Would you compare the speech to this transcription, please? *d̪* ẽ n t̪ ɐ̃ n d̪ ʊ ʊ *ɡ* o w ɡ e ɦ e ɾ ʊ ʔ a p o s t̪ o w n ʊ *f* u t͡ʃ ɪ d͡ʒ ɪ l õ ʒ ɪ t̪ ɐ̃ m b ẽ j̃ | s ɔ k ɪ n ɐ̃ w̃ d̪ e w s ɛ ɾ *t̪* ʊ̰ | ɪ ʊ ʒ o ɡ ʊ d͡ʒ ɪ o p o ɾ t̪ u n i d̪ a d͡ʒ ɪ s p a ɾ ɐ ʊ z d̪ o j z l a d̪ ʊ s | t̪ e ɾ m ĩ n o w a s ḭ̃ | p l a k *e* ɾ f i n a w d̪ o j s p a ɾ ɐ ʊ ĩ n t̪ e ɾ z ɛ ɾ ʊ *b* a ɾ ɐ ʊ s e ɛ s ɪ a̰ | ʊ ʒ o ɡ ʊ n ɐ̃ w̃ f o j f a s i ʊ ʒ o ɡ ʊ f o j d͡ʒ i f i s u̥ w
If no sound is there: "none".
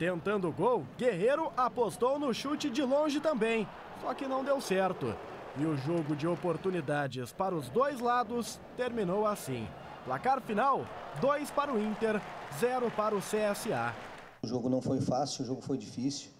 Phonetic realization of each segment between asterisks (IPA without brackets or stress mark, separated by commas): t̪, ɡ, ʃ, t̪, a, p